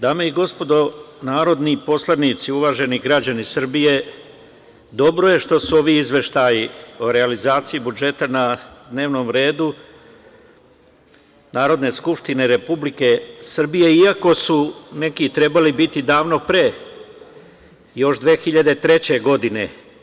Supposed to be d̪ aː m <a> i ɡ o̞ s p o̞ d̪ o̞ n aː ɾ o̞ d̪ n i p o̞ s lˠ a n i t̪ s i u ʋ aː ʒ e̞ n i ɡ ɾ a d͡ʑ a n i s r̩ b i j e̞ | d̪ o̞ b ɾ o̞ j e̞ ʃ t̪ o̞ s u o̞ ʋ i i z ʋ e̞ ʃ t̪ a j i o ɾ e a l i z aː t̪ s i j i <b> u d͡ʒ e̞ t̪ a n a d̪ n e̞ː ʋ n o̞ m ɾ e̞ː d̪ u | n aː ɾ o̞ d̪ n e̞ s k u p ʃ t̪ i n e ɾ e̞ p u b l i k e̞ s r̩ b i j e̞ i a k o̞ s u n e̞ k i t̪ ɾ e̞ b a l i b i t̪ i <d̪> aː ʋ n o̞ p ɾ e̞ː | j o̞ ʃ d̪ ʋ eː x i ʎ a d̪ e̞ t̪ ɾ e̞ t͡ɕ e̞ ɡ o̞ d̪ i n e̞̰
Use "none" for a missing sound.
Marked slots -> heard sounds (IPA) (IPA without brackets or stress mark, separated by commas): e, b, d̪